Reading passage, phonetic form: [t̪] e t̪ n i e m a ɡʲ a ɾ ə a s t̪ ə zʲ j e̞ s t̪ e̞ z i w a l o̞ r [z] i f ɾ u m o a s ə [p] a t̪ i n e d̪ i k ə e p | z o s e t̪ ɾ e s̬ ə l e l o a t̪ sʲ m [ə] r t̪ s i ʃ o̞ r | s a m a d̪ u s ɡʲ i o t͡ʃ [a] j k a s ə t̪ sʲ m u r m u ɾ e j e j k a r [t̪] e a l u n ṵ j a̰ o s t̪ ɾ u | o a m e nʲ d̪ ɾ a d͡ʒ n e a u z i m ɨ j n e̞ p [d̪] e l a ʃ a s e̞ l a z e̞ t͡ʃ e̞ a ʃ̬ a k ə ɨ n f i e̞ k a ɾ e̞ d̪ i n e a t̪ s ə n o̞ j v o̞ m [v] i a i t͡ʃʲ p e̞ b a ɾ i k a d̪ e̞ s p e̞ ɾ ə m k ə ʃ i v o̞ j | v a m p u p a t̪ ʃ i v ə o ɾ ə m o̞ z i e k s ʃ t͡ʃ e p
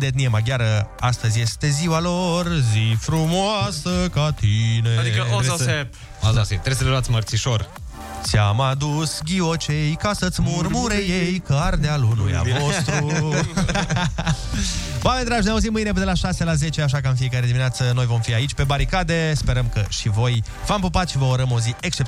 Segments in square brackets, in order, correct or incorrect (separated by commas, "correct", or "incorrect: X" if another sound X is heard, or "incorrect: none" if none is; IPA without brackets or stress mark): incorrect: d̪, correct, incorrect: k, correct, incorrect: e, incorrect: d̪, correct, incorrect: f